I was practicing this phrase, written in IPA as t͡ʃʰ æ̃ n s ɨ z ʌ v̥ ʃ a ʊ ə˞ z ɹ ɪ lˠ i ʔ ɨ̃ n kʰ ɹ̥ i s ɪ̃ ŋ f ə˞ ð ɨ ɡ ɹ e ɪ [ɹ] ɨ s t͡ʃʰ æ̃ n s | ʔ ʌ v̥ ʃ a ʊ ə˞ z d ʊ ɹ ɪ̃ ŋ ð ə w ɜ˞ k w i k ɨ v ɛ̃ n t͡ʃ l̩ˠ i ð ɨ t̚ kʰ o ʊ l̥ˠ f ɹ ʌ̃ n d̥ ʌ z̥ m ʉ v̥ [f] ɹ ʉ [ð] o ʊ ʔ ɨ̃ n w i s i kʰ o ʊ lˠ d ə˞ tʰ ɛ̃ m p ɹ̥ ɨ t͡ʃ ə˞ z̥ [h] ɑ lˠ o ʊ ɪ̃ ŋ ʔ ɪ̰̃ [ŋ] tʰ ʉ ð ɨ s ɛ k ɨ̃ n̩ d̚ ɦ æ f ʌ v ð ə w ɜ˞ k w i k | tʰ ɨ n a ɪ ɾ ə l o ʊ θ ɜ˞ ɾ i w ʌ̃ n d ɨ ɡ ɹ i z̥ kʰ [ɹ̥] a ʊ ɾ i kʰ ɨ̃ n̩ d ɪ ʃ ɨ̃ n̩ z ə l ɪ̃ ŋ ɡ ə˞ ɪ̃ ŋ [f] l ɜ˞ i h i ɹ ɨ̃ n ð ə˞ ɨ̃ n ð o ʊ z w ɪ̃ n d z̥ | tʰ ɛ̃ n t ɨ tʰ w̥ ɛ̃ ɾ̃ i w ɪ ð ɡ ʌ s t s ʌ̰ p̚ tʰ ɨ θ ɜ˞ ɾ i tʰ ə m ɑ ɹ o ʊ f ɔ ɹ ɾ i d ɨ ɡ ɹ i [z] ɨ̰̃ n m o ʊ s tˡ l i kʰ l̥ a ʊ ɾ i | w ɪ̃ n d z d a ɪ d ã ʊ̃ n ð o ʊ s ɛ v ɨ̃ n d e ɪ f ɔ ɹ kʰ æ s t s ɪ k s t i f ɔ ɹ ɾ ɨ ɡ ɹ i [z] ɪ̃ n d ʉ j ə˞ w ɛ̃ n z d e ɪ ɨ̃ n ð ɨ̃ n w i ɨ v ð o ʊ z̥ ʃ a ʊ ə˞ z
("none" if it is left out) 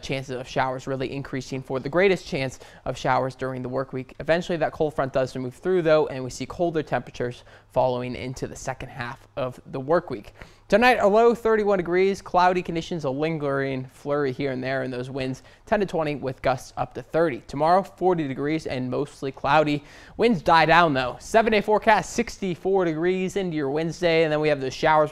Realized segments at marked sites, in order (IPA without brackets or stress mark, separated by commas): ɾ, θ, ð, f, n, l̥, f, z, z